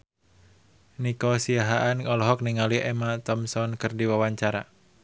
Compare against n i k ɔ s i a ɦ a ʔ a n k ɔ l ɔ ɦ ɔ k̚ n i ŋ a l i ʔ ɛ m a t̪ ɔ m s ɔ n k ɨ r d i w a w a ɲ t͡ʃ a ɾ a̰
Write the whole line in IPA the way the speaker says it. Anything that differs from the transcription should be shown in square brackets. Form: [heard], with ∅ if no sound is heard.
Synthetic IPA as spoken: n i k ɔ s i a ɦ a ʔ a n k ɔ l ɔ ɦ ɔ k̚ n i ŋ a l i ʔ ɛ m a t̪ ɔ m s ɔ n k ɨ r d i w a w a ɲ t͡ʃ a ɾ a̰

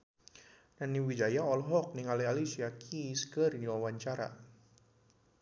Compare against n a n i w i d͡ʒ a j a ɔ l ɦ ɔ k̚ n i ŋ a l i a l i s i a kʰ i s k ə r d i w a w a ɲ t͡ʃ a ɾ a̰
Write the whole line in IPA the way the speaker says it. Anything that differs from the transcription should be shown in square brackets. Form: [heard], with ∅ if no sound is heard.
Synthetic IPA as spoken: n a n i w i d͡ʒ a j a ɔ l ɦ ɔ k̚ n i ŋ a l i a l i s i a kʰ i s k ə r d i w a w a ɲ t͡ʃ a ɾ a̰

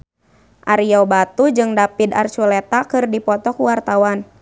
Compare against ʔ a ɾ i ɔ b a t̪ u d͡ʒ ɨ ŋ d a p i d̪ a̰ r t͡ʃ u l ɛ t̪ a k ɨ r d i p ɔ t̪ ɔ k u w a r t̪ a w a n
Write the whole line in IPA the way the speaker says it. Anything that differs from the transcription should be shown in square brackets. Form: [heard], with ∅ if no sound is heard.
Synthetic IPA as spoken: ʔ a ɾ i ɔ b a t̪ u d͡ʒ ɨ ŋ d a p i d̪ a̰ r t͡ʃ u l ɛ t̪ a k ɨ r d i p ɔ t̪ ɔ k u w a r t̪ a w a n

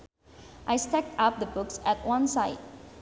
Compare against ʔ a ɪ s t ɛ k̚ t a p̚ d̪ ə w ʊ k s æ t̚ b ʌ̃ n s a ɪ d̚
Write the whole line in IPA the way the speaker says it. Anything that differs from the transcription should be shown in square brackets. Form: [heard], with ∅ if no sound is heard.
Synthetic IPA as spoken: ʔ a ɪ s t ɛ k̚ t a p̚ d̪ ə [b] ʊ k s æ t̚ [w] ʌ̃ n s a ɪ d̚

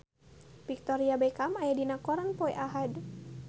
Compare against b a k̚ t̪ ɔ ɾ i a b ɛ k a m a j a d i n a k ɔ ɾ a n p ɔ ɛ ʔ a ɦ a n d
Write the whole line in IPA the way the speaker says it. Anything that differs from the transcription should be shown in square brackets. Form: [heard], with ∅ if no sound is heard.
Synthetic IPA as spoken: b [i] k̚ t̪ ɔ ɾ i a b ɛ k a m a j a d i n a k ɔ ɾ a n p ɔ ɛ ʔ a ɦ a [∅] d

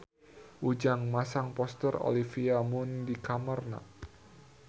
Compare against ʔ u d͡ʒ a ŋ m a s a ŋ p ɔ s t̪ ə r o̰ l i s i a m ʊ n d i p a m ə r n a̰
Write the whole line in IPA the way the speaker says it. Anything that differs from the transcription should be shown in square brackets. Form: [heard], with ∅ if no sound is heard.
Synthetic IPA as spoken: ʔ u d͡ʒ a ŋ m a s a ŋ p ɔ s t̪ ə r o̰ l i [f] i a m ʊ n d i [k] a m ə r n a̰

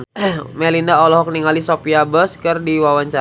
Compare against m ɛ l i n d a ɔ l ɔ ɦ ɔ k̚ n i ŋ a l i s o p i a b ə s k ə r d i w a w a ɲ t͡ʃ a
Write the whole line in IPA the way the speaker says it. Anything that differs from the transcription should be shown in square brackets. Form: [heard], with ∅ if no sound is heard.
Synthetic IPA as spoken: m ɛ l i n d a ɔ l ɔ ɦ ɔ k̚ n i ŋ a l i s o p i a b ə s k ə r d i w a w a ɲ t͡ʃ a

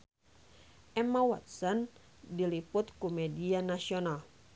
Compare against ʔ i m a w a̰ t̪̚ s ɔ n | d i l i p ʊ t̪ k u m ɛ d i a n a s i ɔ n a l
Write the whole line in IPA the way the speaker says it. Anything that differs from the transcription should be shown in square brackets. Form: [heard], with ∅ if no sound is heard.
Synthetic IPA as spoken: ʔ [ɛ] m a w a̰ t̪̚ s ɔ n | d i l i p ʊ t̪ k u m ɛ d i a n a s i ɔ n a l

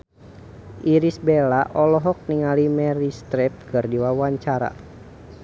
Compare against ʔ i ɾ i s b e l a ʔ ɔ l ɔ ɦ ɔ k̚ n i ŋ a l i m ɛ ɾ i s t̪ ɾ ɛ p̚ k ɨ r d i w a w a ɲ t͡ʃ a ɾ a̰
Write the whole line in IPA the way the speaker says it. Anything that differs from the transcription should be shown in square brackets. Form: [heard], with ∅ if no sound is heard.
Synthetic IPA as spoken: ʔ i ɾ i s b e l a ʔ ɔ l ɔ ɦ ɔ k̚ n i ŋ a l i m ɛ ɾ i s t̪ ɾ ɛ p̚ k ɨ r d i w a w a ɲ t͡ʃ a ɾ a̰

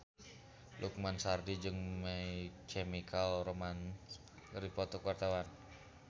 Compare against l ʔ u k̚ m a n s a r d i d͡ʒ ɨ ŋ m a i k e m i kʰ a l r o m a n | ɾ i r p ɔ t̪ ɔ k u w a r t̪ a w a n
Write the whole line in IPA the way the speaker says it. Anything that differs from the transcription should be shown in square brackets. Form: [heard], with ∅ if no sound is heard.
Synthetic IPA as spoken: l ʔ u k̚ m a n s a r d i d͡ʒ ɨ ŋ m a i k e m i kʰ a l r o m a n | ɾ i [∅] p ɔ t̪ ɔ k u w a r t̪ a w a n

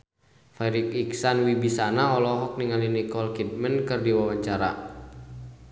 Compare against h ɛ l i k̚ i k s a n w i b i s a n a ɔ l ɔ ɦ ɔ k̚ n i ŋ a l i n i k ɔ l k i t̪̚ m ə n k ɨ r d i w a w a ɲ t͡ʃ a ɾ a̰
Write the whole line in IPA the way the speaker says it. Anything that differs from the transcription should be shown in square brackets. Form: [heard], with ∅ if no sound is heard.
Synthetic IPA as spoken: [f] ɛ [ɾ] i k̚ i k s a n w i b i s a n a ɔ l ɔ ɦ ɔ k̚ n i ŋ a l i n i k ɔ l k i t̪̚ m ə n k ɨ r d i w a w a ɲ t͡ʃ a ɾ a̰

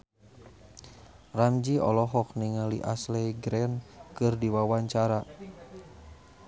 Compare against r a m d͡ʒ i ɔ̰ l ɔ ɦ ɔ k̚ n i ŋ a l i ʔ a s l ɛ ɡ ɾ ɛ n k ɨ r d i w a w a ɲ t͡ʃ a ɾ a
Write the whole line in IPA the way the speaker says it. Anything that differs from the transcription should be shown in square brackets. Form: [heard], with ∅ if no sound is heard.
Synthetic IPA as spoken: r a m d͡ʒ i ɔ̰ l ɔ ɦ ɔ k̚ n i ŋ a l i ʔ a s l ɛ ɡ ɾ ɛ n k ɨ r d i w a w a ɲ t͡ʃ a ɾ a

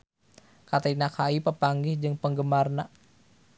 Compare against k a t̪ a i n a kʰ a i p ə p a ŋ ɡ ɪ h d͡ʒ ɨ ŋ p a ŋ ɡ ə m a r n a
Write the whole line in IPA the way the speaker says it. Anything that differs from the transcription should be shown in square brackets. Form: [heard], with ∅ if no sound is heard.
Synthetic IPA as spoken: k a t̪ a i n a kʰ a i p ə p a ŋ ɡ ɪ h d͡ʒ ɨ ŋ p [ə] ŋ ɡ ə m a r n a

